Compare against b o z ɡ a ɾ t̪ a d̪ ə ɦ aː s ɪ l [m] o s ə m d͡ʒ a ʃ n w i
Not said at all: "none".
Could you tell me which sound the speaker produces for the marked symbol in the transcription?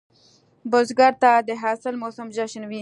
m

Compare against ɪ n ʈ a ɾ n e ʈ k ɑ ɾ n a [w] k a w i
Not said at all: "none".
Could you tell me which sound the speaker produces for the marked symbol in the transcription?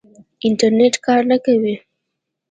none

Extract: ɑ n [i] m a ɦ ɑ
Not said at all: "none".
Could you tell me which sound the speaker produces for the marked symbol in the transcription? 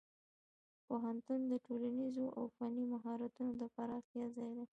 i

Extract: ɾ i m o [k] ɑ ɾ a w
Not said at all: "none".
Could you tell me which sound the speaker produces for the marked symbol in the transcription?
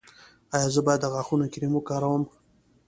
k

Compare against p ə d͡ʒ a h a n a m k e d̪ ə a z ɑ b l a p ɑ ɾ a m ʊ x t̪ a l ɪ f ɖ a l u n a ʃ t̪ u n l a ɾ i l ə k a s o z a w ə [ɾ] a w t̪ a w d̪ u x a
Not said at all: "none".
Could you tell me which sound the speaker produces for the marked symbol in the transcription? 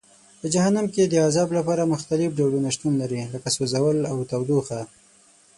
l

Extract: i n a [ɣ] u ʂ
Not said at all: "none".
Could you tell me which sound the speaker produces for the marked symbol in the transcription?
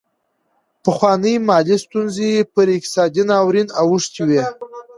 w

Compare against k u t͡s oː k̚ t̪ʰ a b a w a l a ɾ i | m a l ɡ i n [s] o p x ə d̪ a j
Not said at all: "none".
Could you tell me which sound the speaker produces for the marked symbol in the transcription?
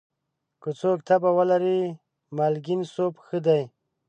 s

